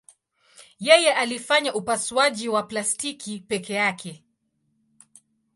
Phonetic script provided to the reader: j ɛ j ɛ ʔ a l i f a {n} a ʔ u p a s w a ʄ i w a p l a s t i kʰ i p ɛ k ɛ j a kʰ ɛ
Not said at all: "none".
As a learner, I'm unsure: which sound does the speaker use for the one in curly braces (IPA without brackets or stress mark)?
ɲ